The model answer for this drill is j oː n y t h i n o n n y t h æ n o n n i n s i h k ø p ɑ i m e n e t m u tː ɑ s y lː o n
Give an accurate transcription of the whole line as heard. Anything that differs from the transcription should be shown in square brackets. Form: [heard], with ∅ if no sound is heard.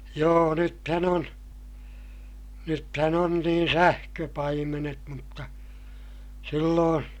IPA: j oː n y t h [æ] n o n n y t h æ n o n n [iː] n s [æ] h k ø p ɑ i m e n e t m u tː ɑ s [i] lː [oː] n